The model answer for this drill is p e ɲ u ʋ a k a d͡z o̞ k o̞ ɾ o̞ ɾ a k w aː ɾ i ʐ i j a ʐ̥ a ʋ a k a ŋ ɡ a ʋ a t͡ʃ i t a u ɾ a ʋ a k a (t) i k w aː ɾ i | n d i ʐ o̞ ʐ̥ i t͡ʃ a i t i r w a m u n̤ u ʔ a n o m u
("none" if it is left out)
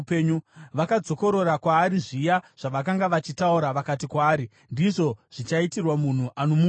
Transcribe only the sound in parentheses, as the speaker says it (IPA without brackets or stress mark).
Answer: t